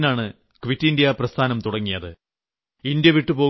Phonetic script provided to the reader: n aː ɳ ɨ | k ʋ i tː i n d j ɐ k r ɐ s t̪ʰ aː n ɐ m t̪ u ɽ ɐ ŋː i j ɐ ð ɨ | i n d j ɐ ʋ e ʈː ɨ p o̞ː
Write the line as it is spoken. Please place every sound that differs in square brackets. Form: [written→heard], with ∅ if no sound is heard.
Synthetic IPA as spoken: n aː ɳ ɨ | k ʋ i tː i n d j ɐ [k→p] r ɐ s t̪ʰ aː n ɐ m t̪ u ɽ ɐ ŋː i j ɐ ð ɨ | i n d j ɐ ʋ [e→i] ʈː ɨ p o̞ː